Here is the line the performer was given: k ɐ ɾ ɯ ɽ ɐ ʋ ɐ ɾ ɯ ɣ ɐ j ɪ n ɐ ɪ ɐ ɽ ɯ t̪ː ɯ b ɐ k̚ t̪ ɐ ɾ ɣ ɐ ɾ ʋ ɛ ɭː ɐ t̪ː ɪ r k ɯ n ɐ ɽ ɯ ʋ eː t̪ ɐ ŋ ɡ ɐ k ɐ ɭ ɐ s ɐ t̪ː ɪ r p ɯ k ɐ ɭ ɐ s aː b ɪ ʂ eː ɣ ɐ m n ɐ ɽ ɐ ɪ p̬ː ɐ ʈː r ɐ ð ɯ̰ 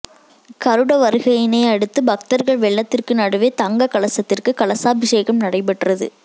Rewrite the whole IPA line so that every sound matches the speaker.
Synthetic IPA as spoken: k ɐ ɾ ɯ ɽ ɐ ʋ ɐ ɾ ɯ ɣ ɐ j ɪ n ɐ ɪ ɐ ɽ ɯ t̪ː ɯ b ɐ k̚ t̪ ɐ ɾ ɣ ɐ ɭ ʋ ɛ ɭː ɐ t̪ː ɪ r k ɯ n ɐ ɽ ɯ ʋ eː t̪ ɐ ŋ ɡ ɐ k ɐ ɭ ɐ s ɐ t̪ː ɪ r k ɯ k ɐ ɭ ɐ s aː b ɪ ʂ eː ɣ ɐ m n ɐ ɽ ɐ ɪ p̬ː ɐ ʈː r ɐ ð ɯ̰